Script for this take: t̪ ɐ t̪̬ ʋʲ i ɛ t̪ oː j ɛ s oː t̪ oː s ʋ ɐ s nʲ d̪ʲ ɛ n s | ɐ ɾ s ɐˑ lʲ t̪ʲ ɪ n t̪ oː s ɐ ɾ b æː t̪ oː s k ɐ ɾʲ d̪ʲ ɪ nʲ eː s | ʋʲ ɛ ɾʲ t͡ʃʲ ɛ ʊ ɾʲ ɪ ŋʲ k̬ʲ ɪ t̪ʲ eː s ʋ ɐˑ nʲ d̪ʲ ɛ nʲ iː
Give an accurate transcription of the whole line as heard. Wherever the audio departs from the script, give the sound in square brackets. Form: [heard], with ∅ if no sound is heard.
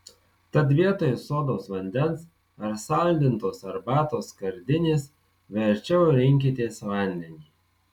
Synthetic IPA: t̪ ɐ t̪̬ ʋʲ i ɛ t̪ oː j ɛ s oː [d̪] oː s ʋ ɐ [∅] nʲ d̪ʲ ɛ n s | ɐ ɾ s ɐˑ lʲ [d̪ʲ] ɪ n t̪ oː s ɐ ɾ b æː t̪ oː s k ɐ ɾʲ d̪ʲ ɪ nʲ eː s | ʋʲ ɛ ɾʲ t͡ʃʲ ɛ ʊ ɾʲ ɪ ŋʲ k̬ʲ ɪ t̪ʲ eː s ʋ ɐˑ nʲ d̪ʲ ɛ nʲ iː

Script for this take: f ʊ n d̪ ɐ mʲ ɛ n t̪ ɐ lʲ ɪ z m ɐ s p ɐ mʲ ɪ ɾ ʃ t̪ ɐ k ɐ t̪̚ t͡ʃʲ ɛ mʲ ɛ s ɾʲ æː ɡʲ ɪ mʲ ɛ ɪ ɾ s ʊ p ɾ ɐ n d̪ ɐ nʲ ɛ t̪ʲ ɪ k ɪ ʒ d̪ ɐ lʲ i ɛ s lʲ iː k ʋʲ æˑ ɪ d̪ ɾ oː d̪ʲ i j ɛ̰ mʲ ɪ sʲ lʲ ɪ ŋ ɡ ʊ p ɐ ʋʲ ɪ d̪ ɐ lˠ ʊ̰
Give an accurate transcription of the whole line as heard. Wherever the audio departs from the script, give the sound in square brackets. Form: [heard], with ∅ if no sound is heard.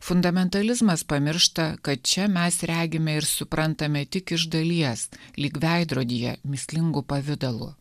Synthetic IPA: f ʊ n d̪ ɐ mʲ ɛ n t̪ ɐ lʲ ɪ z m ɐ s p ɐ mʲ ɪ ɾ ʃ t̪ ɐ k ɐ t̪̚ t͡ʃʲ ɛ mʲ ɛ s ɾʲ æː ɡʲ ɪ mʲ ɛ ɪ ɾ s ʊ p ɾ ɐ n [t̪] ɐ [mʲ] ɛ t̪ʲ ɪ k ɪ ʒ d̪ ɐ lʲ i ɛ s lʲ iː k ʋʲ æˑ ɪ d̪ ɾ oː d̪ʲ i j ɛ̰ mʲ ɪ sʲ lʲ ɪ ŋ ɡ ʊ p ɐ ʋʲ ɪ d̪ ɐ lˠ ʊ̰

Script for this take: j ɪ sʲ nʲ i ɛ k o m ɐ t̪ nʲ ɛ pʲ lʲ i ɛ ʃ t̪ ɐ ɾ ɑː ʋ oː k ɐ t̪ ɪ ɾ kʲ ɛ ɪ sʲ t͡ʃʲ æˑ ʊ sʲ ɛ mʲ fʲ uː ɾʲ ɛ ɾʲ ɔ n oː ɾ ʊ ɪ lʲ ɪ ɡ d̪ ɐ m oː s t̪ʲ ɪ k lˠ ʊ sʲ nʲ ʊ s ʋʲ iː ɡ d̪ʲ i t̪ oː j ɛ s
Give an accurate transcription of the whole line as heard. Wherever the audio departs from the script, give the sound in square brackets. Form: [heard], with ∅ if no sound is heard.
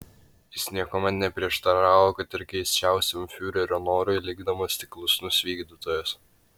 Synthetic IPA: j ɪ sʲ nʲ i ɛ k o m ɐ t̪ nʲ ɛ pʲ [ɾʲ] i ɛ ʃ t̪ ɐ ɾ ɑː ʋ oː k ɐ t̪ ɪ ɾ kʲ ɛ ɪ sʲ t͡ʃʲ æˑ ʊ sʲ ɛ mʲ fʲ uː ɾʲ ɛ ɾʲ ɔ n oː ɾ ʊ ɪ lʲ ɪ ɡ d̪ ɐ m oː s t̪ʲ ɪ k lˠ ʊ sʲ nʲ ʊ s ʋʲ iː ɡ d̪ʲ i t̪ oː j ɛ s

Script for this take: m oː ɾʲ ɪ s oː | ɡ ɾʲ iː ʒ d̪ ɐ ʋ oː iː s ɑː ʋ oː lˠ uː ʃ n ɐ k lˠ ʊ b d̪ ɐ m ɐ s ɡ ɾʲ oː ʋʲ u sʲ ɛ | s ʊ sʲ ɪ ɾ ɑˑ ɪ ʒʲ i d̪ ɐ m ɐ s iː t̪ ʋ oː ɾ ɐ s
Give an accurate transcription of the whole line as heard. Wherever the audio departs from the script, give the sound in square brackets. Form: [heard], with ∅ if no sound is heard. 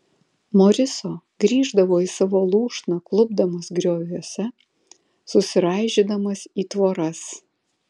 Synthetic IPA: m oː ɾʲ ɪ s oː | ɡ ɾʲ iː ʒ d̪ ɐ ʋ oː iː s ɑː ʋ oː lˠ uː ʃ n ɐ k lˠ ʊ b d̪ ɐ m ɐ s ɡ ɾʲ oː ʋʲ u sʲ ɛ | s ʊ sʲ ɪ ɾ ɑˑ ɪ ʒʲ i d̪ ɐ m ɐ s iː t̪ ʋ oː ɾ ɐ s

